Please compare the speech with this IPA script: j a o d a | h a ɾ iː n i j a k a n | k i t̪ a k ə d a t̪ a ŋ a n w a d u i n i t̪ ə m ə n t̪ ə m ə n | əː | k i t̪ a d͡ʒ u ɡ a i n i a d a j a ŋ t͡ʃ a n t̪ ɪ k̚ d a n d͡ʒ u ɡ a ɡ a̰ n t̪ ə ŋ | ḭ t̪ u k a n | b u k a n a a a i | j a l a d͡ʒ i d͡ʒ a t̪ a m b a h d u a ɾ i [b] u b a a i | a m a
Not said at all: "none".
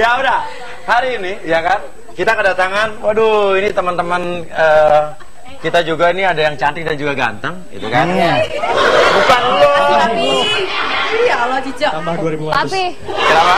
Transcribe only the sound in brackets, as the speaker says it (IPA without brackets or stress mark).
b